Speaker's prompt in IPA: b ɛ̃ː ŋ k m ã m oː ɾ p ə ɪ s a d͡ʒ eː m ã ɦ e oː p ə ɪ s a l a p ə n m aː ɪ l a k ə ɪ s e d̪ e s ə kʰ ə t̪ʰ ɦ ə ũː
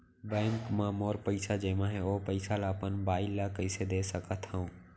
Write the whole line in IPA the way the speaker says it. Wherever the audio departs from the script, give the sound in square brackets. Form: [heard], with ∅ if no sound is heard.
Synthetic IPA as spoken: b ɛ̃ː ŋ k m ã m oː ɾ p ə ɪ s a d͡ʒ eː m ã ɦ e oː p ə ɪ s a l a p ə n [b] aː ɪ l a k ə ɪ s e d̪ e s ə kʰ ə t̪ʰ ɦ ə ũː